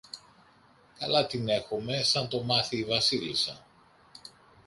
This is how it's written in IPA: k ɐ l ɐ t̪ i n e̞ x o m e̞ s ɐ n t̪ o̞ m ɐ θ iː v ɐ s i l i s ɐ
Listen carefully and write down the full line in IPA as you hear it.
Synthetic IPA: k ɐ l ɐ t̪ i n e̞ x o m e̞ s ɐ n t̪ o̞ m ɐ θ iː v ɐ s i l i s ɐ